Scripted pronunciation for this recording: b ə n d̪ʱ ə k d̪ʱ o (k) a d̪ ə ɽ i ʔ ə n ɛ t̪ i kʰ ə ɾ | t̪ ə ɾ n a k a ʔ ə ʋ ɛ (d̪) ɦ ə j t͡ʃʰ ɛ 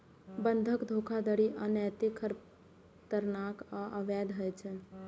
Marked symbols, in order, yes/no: no, yes

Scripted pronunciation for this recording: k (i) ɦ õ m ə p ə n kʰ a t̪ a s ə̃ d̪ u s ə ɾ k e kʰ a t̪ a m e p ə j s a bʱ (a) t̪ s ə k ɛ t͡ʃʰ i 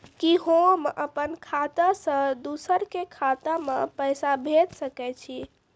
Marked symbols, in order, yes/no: yes, no

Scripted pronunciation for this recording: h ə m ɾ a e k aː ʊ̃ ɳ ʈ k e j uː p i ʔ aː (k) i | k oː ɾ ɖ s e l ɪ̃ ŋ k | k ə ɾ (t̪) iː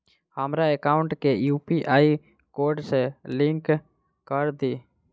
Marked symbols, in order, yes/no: no, no

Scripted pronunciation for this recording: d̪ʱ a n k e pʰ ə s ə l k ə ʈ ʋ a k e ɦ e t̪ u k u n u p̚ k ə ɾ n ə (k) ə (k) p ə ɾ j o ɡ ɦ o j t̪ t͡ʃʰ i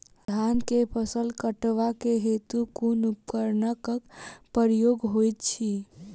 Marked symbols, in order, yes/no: yes, yes

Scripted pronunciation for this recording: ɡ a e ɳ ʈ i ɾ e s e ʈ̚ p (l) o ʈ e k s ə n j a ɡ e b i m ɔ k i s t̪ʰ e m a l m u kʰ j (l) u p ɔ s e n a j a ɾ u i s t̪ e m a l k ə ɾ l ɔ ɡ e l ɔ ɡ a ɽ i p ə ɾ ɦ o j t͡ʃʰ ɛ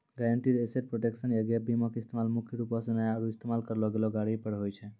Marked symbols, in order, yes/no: no, no

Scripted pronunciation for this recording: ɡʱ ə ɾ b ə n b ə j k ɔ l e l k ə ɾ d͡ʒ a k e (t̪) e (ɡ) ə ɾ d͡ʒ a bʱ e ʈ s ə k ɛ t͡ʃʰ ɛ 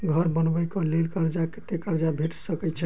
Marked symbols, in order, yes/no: yes, no

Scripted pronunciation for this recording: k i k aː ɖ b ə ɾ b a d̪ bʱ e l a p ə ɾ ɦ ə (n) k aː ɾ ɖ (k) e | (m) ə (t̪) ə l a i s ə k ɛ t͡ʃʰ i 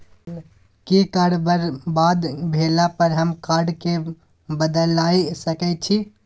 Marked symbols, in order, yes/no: no, yes, no, no

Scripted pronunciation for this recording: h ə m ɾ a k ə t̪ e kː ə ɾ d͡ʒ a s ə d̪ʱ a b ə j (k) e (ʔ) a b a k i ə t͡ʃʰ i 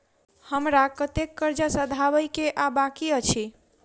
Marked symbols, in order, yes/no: yes, yes

